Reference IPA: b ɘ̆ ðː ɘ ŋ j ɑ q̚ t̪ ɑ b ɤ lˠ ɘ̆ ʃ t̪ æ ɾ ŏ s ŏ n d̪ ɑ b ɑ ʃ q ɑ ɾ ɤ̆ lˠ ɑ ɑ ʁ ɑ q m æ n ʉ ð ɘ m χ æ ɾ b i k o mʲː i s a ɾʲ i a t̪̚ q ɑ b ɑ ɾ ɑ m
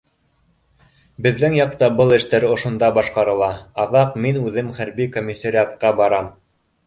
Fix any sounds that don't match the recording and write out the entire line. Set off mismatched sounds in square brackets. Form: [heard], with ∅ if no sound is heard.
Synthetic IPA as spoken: b ɘ̆ ðː ɘ ŋ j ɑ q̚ t̪ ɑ b ɤ lˠ ɘ̆ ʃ t̪ æ ɾ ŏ [ʃ] ŏ n d̪ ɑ b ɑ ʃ q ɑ ɾ ɤ̆ lˠ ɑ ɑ [ð] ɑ q m [i] n ʉ ð ɘ m χ æ ɾ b i k o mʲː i s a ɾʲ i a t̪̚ q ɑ b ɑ ɾ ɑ m